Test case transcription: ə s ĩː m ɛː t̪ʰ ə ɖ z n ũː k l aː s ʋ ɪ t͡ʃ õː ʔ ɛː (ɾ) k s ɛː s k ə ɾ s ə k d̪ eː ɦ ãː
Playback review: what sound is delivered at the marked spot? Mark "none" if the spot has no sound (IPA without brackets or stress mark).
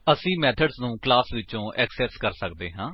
none